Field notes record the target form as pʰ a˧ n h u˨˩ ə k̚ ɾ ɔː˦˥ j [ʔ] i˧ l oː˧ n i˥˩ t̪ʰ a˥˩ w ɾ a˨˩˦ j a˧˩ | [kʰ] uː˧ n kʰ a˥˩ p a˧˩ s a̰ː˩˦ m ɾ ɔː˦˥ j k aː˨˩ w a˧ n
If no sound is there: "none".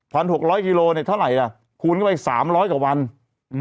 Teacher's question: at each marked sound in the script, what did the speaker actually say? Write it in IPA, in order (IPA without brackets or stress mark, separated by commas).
k, kʰ